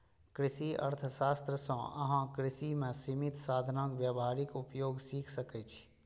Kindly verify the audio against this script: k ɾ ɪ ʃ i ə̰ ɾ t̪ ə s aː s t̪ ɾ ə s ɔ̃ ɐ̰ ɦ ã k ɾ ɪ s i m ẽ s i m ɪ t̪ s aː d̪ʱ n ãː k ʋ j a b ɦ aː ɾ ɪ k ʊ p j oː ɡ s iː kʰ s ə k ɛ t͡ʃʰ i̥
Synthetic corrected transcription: k ɾ ɪ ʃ i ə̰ ɾ t̪ʰ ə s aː s t̪ ɾ ə s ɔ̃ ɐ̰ ɦ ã k ɾ ɪ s i m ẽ s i m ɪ t̪ s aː d̪ʱ n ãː k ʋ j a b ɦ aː ɾ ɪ k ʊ p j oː ɡ s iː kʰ s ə k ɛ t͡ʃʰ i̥